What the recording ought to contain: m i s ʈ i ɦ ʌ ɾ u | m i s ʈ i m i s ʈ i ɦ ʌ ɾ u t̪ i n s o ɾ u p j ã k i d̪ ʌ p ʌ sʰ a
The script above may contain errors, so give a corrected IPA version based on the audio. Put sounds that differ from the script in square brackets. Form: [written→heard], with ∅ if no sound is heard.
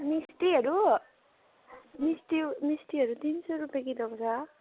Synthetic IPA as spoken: m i s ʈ i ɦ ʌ ɾ u | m i s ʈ i m i s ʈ i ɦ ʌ ɾ u t̪ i n s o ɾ u p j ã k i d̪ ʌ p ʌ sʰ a